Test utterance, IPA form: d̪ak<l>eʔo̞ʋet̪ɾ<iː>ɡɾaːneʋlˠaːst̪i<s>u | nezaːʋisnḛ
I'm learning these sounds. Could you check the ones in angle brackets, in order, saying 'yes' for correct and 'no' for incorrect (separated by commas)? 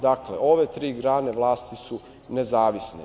yes, yes, yes